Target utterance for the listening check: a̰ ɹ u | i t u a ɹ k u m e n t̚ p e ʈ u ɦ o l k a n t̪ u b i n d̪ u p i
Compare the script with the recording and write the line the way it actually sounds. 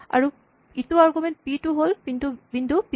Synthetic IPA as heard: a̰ ɹ u | i t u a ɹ ɡ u m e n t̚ p i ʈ u ɦ o l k i n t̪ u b i n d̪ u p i